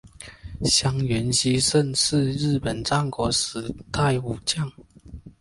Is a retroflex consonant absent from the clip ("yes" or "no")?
no